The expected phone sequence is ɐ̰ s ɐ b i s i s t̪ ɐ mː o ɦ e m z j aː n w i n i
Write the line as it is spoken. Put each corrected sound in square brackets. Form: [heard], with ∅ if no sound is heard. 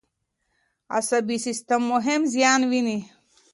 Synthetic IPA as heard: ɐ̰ s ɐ b i s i s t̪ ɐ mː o ɦ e m z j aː n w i n i